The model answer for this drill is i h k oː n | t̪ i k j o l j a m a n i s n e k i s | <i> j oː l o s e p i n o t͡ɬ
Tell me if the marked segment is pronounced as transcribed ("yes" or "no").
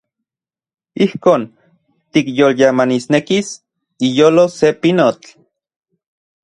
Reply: yes